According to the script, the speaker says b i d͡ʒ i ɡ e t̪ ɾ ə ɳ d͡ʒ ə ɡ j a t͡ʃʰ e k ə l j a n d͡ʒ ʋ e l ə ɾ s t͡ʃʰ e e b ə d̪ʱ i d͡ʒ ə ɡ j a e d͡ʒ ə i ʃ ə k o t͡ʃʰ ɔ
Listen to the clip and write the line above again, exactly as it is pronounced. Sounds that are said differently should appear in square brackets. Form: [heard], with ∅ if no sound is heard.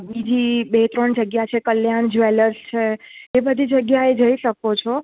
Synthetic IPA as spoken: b i d͡ʒ i [b] e t̪ ɾ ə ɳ d͡ʒ ə ɡ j a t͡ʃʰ e k ə l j a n d͡ʒ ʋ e l ə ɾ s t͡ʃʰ e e b ə d̪ʱ i d͡ʒ ə ɡ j a e d͡ʒ ə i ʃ ə k o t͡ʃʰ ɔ

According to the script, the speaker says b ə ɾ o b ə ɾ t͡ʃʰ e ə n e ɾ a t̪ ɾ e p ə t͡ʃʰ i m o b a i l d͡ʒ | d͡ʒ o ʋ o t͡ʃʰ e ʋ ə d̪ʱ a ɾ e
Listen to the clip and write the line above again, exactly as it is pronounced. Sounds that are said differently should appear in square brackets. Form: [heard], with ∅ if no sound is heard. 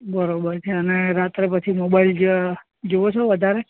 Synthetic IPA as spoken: b ə ɾ o b ə ɾ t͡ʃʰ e ə n e ɾ a t̪ ɾ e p ə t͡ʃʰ i m o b a i l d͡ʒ | d͡ʒ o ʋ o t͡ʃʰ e ʋ ə d̪ʱ a ɾ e

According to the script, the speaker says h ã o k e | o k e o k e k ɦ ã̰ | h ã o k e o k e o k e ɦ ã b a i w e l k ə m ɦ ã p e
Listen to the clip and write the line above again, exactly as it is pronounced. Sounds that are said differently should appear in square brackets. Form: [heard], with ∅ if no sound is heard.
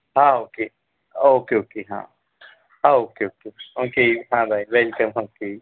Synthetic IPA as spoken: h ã o k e | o k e o k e [∅] ɦ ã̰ | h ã o k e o k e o k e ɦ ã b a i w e l k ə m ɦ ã [k] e

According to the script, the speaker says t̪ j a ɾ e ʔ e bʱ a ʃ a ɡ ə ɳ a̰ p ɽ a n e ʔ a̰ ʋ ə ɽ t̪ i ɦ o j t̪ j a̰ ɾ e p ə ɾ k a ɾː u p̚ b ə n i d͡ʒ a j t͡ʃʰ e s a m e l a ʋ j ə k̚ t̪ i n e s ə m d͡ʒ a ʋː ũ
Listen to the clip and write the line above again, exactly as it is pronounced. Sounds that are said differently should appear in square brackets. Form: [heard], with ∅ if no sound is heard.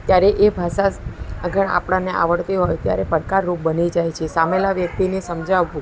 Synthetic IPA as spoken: t̪ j a ɾ e ʔ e bʱ a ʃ a ɡ ə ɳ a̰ p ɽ a n e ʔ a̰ ʋ ə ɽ t̪ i ɦ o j t̪ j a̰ ɾ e p ə ɾ k a ɾː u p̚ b ə n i d͡ʒ a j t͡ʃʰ e s a m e l a ʋ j ə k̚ t̪ i n e s ə m d͡ʒ a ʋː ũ

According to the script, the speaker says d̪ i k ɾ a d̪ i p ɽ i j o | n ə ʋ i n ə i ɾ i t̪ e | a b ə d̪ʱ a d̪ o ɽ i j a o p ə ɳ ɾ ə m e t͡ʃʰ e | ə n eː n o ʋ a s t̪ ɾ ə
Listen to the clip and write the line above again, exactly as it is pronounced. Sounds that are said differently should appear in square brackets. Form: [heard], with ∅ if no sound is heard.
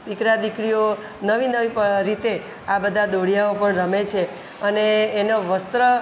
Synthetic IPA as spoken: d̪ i k ɾ a d̪ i [k] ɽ i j o | n ə ʋ i n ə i ɾ i t̪ e | a b ə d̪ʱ a d̪ o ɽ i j a o p ə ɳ ɾ ə m e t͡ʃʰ e | ə n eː n o ʋ [ə] s t̪ ɾ ə

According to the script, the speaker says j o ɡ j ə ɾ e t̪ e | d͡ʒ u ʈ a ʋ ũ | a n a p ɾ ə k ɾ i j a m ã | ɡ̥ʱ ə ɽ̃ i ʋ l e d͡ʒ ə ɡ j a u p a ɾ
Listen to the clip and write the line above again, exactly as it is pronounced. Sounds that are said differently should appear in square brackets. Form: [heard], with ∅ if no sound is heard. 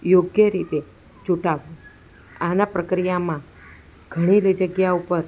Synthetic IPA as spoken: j o ɡ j ə ɾ [i] t̪ e | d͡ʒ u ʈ a ʋ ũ | a n a p ɾ ə k ɾ i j a m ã | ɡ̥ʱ ə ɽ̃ i [∅] l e d͡ʒ ə ɡ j a u p [ə] ɾ

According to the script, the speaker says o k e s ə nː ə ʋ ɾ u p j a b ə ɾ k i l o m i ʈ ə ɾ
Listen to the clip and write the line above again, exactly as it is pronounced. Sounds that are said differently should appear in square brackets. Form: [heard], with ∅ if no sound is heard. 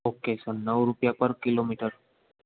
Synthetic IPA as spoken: o k e s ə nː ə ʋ ɾ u p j a [p] ə ɾ k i l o m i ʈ ə ɾ

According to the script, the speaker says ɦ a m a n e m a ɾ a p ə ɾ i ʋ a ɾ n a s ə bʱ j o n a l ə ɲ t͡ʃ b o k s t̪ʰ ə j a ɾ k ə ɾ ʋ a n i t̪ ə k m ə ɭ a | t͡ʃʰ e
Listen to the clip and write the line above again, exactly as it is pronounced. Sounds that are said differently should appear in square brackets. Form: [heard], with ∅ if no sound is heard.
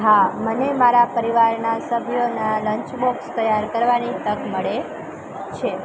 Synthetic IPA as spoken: ɦ a m [ə] n e m a ɾ a p ə ɾ i ʋ a ɾ n a s ə bʱ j o n a l ə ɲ t͡ʃ b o k s [t̪] ə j a ɾ k ə ɾ ʋ a n i t̪ ə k m ə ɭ [e] | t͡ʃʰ e

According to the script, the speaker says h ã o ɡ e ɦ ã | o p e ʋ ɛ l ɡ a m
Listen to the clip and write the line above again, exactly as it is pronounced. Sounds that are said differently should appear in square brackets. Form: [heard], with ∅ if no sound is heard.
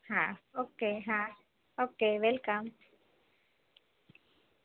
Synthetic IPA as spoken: h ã o [k] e ɦ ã | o [k] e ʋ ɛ l [k] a m

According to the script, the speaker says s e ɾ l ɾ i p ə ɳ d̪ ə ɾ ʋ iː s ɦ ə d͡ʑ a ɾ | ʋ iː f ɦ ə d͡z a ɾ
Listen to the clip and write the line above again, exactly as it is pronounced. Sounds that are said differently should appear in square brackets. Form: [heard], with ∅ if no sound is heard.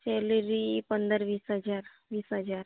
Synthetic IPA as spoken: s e [∅] l ɾ i p ə [n] d̪ ə ɾ ʋ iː s ɦ ə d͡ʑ a ɾ | ʋ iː [s] ɦ ə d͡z a ɾ

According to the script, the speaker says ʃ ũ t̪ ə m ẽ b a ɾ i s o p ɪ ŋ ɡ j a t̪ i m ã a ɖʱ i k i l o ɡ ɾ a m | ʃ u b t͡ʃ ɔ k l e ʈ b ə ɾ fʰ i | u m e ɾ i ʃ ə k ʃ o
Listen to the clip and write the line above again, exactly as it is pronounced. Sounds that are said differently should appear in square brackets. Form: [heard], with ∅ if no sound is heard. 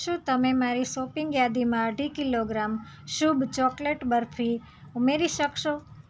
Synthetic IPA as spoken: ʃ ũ t̪ ə m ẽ [m] a ɾ i s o p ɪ ŋ ɡ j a [d̪] i m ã [ə] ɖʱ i k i l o ɡ ɾ a m | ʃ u b t͡ʃ ɔ k l e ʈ b ə ɾ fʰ i | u m e ɾ i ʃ ə k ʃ o

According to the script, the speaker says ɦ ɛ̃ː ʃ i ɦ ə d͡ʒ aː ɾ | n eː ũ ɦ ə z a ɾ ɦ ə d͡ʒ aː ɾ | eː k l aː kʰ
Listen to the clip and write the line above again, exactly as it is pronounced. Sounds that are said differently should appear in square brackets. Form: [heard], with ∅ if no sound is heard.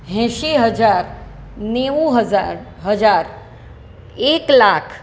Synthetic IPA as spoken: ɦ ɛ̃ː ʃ i ɦ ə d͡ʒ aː ɾ | n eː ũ ɦ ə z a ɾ ɦ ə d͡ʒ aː ɾ | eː k l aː kʰ

